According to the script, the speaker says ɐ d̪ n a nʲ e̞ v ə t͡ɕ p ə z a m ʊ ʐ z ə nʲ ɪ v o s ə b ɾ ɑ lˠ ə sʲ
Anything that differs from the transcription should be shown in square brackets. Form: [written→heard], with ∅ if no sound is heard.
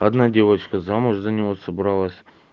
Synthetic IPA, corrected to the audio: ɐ d̪ n a [nʲ→dʲ] e̞ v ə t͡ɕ [p→k] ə z a m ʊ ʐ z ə nʲ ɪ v o s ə b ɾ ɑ lˠ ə sʲ